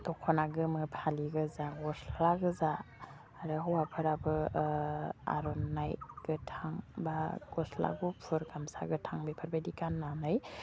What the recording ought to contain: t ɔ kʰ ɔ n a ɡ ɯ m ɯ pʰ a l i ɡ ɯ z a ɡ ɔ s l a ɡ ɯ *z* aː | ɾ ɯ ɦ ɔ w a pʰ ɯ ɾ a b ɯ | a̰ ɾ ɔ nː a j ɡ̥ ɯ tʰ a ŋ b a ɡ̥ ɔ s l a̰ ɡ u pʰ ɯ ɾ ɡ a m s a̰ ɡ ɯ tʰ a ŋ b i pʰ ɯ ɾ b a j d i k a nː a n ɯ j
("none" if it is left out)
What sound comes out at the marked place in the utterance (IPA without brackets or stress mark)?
z